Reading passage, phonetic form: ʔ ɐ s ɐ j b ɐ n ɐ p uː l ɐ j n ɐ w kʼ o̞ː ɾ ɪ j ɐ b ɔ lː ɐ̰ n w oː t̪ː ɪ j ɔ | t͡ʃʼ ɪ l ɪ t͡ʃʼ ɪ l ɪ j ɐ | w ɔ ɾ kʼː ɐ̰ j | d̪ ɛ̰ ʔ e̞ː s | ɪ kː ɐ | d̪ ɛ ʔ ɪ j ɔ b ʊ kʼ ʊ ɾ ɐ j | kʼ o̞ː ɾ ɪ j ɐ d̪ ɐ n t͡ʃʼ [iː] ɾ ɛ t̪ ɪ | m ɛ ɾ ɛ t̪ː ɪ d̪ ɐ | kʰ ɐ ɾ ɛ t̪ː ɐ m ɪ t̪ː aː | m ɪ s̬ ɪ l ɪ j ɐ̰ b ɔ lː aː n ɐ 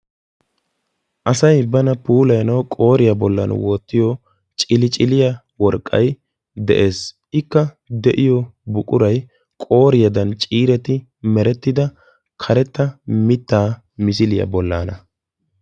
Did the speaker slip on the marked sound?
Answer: no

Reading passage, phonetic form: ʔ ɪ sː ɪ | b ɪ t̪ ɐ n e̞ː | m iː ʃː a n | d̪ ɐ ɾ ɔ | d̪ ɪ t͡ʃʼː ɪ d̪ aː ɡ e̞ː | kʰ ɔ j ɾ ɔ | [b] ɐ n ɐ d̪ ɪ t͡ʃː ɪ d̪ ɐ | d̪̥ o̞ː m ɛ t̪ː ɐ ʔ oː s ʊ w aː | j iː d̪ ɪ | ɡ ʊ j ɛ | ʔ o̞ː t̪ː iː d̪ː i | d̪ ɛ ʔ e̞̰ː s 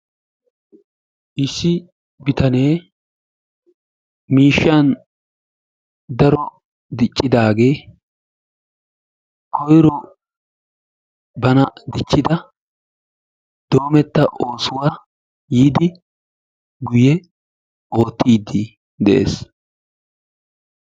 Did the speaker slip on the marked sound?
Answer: no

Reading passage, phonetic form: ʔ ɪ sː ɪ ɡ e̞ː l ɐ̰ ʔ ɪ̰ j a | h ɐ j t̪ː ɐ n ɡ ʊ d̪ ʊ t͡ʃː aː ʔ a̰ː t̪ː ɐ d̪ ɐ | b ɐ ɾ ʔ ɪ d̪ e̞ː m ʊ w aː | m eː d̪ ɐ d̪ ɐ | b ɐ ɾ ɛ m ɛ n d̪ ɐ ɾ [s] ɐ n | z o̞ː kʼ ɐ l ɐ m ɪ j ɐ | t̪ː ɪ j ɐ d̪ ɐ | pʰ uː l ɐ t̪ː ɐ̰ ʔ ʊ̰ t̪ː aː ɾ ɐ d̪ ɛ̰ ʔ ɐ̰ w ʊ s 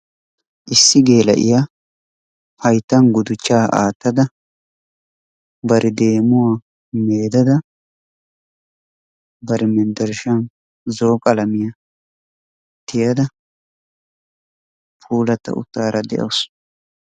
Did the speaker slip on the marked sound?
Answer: yes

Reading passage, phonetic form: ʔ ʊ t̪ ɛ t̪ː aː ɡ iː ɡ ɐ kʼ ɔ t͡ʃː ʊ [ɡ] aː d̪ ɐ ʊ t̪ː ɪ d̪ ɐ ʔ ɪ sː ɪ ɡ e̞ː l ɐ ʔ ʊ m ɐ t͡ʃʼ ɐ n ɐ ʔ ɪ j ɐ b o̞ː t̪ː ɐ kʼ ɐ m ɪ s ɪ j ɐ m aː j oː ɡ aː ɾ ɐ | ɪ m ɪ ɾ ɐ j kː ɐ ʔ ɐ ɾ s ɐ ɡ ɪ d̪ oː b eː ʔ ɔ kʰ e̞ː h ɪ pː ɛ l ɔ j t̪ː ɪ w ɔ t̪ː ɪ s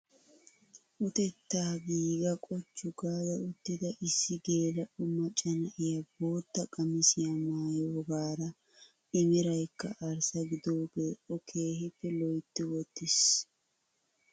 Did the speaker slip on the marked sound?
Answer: no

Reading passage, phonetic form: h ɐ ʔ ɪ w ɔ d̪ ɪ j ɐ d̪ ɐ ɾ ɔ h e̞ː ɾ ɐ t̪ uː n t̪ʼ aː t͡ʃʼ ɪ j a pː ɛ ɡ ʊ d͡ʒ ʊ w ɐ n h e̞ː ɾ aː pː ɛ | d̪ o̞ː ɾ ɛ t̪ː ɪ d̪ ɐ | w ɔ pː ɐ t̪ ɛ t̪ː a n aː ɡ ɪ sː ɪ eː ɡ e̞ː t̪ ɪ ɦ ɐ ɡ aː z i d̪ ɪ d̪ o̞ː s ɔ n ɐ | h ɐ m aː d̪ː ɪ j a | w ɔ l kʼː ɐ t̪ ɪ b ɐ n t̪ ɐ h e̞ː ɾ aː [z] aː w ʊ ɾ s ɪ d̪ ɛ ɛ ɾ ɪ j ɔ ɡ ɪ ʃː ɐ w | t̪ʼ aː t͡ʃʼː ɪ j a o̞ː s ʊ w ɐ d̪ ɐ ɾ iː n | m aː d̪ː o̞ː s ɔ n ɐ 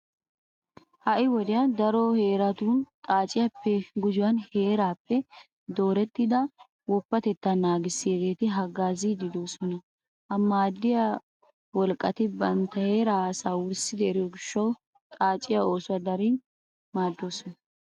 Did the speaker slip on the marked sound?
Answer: yes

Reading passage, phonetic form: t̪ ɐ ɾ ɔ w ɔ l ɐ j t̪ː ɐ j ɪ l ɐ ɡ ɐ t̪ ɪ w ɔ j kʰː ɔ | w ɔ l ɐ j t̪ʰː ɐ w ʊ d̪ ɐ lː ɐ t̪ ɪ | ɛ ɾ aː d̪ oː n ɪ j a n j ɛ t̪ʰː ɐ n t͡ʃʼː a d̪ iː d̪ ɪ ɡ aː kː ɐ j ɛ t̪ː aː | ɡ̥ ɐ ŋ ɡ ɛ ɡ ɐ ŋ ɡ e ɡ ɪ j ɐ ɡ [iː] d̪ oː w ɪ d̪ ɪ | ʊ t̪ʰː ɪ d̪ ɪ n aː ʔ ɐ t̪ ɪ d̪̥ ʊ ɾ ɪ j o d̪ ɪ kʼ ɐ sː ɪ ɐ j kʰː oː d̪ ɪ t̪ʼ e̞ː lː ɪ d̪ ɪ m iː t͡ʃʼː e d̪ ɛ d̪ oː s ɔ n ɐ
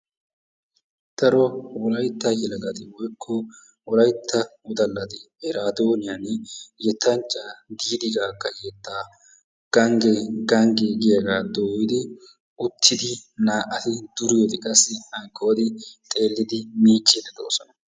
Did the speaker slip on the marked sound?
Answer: yes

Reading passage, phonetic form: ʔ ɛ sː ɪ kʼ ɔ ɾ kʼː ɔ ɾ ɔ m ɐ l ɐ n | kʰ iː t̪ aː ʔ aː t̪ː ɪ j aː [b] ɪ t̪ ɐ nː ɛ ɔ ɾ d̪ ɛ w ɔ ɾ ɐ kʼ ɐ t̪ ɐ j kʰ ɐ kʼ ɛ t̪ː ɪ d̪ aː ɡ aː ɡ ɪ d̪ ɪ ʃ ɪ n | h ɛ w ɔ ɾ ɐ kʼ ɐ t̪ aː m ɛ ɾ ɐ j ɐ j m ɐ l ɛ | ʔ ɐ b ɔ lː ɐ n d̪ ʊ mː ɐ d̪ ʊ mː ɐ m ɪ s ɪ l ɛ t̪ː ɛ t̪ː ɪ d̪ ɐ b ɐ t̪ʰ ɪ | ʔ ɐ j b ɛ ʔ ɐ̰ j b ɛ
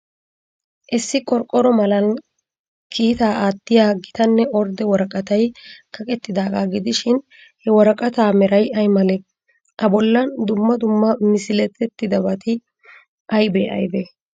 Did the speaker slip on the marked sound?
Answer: yes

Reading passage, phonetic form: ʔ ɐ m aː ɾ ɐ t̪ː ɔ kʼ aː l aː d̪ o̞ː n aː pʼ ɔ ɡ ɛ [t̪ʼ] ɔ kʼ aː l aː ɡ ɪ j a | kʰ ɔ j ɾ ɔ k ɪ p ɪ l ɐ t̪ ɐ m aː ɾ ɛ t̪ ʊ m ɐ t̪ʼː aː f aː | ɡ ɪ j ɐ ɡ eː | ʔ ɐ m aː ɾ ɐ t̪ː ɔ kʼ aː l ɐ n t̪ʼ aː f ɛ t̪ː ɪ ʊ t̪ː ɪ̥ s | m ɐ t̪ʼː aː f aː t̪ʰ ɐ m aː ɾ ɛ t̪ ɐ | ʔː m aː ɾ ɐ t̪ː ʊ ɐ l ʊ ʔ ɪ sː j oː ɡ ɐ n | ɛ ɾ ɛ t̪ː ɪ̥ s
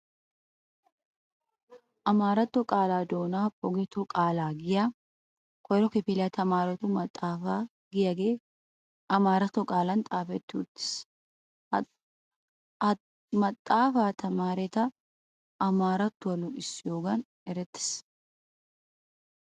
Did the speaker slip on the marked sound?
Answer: yes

